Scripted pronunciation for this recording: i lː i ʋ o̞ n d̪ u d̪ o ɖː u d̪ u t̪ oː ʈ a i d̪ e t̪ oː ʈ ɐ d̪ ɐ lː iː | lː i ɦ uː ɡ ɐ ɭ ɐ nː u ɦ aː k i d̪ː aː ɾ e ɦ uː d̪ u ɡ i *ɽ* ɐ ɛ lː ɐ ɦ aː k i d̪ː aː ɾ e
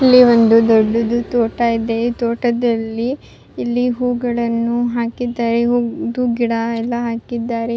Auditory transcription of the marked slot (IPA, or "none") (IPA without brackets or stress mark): ɽ